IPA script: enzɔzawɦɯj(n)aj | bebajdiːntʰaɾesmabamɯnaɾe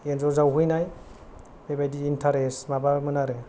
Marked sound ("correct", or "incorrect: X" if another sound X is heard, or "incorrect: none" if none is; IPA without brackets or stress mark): correct